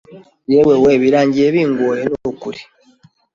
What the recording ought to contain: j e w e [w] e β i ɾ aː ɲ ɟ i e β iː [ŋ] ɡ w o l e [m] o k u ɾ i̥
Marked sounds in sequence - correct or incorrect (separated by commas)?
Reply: correct, correct, incorrect